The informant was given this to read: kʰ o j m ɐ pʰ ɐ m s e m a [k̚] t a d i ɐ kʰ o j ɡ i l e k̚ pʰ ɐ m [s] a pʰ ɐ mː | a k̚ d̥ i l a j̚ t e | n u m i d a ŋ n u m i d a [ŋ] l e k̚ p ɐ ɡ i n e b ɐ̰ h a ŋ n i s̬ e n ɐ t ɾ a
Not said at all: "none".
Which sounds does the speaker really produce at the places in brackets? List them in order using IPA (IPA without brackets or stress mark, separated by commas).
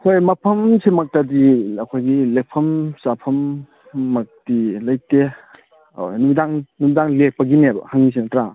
k̚, s, ŋ